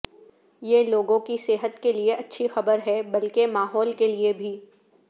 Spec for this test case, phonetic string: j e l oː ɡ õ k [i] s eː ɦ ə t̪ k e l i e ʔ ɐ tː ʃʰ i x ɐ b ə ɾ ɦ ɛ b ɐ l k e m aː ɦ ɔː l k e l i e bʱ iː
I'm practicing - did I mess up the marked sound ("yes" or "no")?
no